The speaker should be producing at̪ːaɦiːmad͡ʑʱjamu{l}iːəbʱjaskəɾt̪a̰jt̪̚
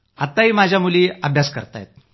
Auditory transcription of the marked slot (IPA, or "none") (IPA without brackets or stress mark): l